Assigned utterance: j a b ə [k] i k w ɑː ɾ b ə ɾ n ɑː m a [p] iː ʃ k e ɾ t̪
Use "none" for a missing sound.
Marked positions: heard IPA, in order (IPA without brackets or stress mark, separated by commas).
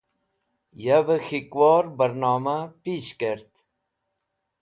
x, p